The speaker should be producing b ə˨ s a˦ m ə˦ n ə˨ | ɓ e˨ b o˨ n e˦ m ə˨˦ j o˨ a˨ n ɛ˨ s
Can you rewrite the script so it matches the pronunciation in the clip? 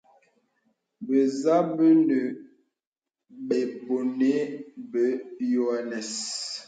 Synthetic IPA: b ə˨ z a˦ b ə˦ n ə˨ | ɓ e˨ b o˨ n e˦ b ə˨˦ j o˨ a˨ n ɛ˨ s

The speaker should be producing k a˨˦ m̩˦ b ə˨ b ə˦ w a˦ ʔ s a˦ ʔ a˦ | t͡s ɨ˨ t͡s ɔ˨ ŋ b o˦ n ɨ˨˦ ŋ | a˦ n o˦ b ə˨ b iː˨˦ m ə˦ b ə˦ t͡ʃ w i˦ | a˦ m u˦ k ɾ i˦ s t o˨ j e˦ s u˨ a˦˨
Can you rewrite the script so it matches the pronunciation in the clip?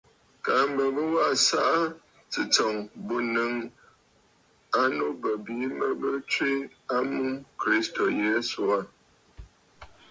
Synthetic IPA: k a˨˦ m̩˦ b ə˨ b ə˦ w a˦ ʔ s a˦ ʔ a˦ | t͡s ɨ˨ t͡s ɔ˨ ŋ b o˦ n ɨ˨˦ ŋ | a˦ n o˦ b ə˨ b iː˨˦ m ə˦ b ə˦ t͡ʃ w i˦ | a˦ m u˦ k ɾ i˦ s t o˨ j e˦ s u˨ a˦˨

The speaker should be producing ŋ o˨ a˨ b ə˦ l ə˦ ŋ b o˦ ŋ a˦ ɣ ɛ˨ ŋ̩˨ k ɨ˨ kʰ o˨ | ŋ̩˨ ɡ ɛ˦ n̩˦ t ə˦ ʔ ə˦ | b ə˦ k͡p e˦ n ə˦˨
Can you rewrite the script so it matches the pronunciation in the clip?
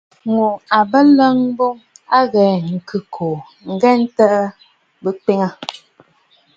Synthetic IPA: ŋ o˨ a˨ b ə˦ l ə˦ ŋ b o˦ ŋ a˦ ɣ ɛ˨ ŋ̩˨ k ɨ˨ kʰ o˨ | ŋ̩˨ ɡ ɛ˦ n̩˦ t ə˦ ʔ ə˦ | b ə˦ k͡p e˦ ŋ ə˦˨

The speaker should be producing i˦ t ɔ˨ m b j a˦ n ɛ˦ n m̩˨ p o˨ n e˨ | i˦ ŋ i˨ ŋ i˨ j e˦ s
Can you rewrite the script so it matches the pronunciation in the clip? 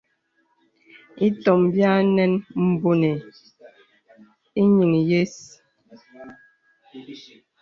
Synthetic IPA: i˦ t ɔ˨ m b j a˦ n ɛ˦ n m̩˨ b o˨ n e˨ | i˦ ɲ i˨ ŋ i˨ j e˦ s

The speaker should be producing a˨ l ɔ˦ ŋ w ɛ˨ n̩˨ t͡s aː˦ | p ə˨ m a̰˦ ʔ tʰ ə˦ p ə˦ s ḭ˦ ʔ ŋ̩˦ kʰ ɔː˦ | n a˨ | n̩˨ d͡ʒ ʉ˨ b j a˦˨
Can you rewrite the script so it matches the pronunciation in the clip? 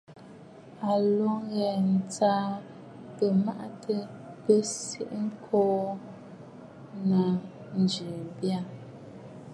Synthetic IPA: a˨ l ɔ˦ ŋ ɣ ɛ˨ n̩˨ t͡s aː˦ | p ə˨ m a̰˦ ʔ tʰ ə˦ p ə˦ s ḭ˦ ʔ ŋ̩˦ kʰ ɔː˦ | n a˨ | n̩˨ d͡ʒ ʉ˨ b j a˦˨

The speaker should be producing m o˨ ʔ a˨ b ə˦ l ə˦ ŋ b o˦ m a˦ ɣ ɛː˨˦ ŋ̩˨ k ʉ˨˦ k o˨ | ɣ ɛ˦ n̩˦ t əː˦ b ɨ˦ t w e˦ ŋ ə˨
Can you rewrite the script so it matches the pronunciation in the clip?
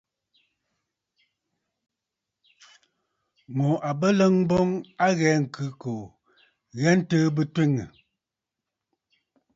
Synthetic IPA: m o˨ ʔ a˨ b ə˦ l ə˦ ŋ b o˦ ŋ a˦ ɣ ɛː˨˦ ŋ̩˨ k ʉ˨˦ k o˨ | ɣ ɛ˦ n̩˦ t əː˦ b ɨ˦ t w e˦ ŋ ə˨

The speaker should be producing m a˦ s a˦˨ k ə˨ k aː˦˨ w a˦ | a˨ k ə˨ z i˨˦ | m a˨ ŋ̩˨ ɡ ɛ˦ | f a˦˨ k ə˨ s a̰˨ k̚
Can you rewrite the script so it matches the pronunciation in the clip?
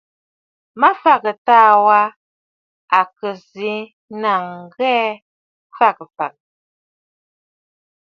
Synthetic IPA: m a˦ f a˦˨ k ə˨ t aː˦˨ w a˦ | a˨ k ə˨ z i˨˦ | n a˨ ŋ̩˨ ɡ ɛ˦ | f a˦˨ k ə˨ f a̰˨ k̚

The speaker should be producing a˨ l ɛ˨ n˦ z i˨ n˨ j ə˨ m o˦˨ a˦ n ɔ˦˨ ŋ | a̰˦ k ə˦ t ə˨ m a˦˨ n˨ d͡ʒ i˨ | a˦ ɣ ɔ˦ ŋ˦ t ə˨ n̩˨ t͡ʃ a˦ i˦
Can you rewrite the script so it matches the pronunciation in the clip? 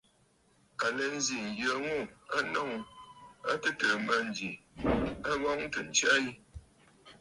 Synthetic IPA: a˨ l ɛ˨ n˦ z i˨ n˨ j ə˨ ŋ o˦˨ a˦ n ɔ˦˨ ŋ | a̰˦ t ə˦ t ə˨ m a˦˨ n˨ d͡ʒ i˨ | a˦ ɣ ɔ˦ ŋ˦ t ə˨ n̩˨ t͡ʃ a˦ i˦

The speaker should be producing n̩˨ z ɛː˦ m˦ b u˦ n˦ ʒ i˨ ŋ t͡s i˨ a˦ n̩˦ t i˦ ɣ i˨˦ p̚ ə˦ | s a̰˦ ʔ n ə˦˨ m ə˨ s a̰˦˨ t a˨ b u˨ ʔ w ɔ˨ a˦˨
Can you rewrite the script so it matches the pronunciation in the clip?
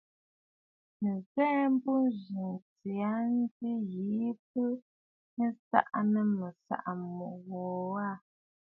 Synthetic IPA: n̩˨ z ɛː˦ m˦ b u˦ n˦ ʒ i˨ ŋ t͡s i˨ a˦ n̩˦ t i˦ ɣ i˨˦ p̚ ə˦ | s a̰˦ ʔ n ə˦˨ m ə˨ s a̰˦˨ ʔ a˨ m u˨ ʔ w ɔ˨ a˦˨

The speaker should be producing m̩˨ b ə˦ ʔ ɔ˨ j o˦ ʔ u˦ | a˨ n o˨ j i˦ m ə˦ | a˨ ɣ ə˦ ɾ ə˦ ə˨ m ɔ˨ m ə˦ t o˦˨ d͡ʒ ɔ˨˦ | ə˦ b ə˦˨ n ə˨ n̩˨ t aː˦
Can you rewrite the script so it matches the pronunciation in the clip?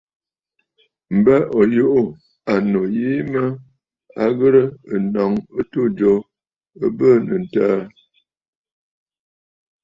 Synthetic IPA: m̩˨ b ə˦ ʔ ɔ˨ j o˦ ʔ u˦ | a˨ n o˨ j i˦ m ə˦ | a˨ ɣ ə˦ ɾ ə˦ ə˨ n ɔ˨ ŋ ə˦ t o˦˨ d͡ʒ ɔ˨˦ | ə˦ b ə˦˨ n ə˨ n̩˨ t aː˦

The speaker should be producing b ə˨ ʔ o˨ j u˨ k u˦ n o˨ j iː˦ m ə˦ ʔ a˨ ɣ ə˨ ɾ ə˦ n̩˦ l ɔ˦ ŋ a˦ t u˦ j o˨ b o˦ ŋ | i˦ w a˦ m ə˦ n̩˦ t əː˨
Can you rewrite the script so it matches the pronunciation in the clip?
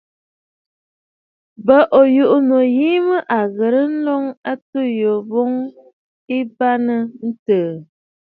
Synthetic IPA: b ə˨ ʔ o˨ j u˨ ʔ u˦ n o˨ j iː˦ m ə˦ ʔ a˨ ɣ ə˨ ɾ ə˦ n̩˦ l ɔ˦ ŋ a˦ t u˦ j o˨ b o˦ ŋ | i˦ b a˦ n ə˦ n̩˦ t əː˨

